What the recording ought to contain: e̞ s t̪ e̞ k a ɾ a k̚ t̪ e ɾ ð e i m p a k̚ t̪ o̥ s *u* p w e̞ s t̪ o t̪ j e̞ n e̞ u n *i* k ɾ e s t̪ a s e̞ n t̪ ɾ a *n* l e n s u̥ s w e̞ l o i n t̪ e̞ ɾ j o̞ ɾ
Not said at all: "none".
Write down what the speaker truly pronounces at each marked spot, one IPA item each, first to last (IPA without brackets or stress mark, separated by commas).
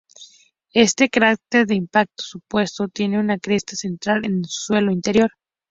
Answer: u, a, none